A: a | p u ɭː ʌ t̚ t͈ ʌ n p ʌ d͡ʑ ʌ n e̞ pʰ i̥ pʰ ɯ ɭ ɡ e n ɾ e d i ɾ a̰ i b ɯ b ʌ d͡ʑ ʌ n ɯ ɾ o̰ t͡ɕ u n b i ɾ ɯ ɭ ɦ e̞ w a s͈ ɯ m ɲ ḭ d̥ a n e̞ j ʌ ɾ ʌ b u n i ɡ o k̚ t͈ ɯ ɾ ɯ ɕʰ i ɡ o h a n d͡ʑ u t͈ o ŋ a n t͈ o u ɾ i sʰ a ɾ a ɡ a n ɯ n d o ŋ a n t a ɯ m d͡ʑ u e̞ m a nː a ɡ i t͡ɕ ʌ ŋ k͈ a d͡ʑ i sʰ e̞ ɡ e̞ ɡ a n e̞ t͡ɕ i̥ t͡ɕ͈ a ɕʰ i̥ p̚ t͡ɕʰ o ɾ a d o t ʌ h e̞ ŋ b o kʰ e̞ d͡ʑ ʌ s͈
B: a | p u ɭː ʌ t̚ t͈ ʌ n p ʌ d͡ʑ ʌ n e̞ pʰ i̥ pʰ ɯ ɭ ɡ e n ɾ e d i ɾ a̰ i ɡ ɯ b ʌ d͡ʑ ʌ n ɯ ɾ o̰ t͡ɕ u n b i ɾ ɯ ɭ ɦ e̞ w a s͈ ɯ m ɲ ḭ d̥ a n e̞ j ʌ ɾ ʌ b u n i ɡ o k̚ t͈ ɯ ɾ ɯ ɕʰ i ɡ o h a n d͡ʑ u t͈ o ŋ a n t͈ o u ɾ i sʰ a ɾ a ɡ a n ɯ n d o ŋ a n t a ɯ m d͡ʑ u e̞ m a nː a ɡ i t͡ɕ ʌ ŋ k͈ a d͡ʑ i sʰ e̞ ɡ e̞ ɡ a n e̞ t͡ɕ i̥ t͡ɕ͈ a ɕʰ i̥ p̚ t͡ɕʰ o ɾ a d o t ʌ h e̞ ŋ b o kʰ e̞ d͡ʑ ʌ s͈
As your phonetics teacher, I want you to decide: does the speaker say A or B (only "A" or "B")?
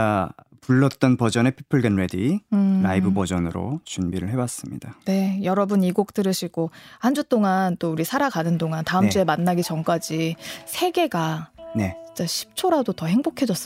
A